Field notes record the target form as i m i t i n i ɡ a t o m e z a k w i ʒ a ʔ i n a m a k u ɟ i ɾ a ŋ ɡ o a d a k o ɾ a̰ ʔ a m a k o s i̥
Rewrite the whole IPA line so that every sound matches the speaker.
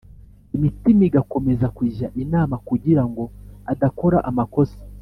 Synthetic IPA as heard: i m i t i m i ɡ a k o m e z a k w i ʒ a ʔ i n a m a k u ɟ i ɾ a ŋ ɡ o a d a k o ɾ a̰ ʔ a m a k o s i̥